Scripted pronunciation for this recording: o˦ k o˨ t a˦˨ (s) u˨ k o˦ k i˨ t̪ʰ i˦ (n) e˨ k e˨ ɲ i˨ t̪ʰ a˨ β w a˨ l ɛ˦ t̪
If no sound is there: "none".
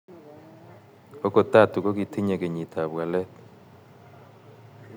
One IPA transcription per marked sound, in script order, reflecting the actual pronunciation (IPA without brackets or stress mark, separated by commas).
t, ɲ